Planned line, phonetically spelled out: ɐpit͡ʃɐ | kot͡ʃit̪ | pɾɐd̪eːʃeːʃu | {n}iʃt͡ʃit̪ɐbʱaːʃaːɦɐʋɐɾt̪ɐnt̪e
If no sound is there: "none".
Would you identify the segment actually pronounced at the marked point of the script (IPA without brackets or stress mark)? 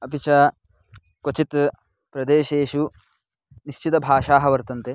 n